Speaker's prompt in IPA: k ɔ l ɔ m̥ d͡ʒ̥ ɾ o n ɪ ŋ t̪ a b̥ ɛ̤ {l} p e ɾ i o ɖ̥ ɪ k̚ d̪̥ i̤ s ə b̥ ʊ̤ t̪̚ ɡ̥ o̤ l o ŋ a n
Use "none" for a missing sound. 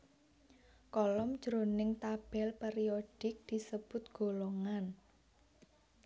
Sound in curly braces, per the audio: l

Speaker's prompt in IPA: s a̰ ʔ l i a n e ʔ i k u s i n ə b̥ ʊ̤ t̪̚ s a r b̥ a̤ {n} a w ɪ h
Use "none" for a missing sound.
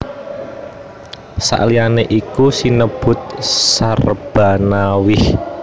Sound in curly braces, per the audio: n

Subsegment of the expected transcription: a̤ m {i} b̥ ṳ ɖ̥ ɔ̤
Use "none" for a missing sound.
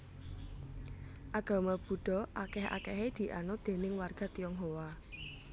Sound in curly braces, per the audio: a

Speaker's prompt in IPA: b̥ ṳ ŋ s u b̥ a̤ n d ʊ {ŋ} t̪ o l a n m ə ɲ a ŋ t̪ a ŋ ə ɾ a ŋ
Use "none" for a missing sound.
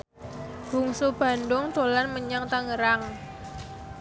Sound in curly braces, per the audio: ŋ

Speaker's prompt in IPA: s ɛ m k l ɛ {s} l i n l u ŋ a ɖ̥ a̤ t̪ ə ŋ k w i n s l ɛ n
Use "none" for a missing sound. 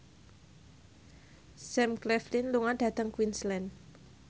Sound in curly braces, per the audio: f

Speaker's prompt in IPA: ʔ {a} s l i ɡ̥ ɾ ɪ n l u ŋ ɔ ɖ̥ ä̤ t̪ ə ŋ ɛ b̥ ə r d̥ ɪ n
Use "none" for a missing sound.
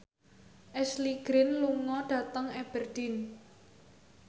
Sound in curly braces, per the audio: ɛ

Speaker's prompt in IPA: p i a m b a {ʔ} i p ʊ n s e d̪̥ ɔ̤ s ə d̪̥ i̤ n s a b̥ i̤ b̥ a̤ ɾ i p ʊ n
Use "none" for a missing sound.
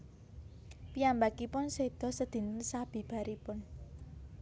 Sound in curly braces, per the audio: k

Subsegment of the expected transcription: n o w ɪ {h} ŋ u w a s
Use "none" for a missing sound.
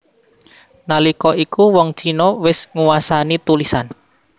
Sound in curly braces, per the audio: s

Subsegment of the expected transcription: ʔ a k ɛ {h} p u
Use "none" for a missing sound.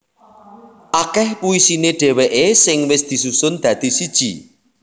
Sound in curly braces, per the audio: h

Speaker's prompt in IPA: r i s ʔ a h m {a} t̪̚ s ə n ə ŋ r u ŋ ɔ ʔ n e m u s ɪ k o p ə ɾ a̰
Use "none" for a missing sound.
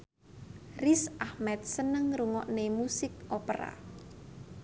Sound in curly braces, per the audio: ɛ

